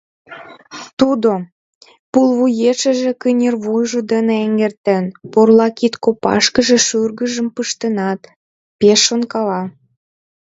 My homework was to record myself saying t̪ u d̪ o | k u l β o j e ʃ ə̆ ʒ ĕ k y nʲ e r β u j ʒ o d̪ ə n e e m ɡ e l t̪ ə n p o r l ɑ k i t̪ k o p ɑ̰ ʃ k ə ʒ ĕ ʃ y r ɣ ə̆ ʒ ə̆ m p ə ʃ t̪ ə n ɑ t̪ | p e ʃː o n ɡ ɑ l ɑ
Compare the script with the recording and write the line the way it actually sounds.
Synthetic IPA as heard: t̪ u d̪ o | p u l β u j e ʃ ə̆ ʒ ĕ k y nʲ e r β u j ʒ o d̪ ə n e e ŋ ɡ e r t̪ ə n p o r l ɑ k i t̪ k o p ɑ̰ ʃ k ə ʒ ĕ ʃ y r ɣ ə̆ ʒ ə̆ m p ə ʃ t̪ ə n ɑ t̪ | p e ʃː o n k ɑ l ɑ